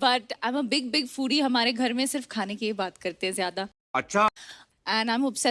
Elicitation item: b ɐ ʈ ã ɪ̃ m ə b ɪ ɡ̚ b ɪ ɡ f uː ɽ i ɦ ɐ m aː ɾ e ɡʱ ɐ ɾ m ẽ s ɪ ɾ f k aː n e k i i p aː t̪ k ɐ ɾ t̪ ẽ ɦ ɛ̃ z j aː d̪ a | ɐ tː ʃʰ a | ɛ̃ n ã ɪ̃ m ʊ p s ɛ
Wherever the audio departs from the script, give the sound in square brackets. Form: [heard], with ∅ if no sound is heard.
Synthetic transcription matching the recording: b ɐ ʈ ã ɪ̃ m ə b ɪ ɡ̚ b ɪ ɡ f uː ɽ i ɦ ɐ m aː ɾ e ɡʱ ɐ ɾ m ẽ s ɪ ɾ f [kʰ] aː n e k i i [b] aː t̪ k ɐ ɾ t̪ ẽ ɦ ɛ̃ z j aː d̪ a | ɐ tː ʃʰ a | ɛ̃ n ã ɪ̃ m ʊ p s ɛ